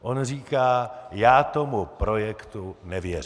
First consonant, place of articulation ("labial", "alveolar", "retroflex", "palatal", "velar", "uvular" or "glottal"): glottal